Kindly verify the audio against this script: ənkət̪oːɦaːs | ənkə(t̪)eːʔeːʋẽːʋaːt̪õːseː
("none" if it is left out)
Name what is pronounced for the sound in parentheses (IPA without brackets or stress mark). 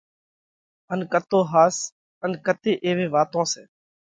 t̪